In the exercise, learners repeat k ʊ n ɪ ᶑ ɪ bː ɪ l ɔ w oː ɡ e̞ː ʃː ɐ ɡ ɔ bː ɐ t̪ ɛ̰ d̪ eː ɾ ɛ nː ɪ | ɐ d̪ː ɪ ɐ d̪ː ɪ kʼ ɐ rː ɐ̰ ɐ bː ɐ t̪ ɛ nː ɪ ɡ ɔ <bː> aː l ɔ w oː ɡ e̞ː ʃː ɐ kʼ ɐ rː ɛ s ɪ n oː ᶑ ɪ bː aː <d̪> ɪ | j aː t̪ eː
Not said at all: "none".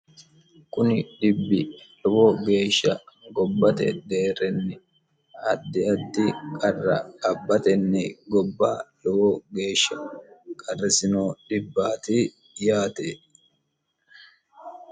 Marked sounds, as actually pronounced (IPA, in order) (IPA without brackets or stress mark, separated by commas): bː, t̪